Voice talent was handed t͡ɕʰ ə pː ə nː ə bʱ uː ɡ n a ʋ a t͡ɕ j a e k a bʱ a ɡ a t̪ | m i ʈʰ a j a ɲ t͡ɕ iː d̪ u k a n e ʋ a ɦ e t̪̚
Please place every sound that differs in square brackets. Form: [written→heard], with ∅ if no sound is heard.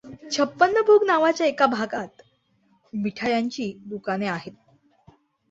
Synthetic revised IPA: t͡ɕʰ ə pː ə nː ə bʱ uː ɡ n a ʋ a t͡ɕ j a e k a bʱ a ɡ a t̪ | m i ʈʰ a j a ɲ t͡ɕ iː d̪ u k a n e [ʋ→∅] a ɦ e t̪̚